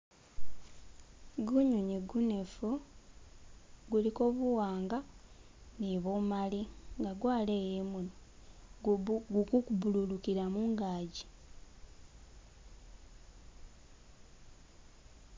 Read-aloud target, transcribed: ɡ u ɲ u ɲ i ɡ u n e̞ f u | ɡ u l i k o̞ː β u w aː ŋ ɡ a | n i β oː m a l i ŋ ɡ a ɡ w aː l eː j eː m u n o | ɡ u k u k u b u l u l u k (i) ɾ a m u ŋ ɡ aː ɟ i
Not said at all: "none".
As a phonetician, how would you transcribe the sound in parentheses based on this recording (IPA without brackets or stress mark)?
i